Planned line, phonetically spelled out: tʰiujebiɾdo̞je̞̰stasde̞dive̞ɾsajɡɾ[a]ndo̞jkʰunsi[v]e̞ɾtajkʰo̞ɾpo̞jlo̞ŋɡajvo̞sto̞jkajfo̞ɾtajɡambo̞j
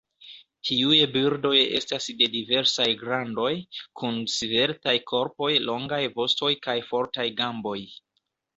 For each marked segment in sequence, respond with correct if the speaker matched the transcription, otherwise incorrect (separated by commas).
correct, correct